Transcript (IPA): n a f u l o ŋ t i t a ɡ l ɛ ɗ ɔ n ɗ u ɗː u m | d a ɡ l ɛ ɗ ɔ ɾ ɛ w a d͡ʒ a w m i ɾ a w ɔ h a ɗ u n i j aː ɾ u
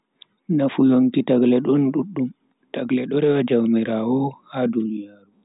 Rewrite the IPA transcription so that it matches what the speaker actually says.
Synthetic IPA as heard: n a f u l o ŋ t i t a ɡ l ɛ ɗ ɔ n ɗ u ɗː u m | t a ɡ l ɛ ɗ ɔ ɾ ɛ w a d͡ʒ a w m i ɾ a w ɔ h a d u n i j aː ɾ u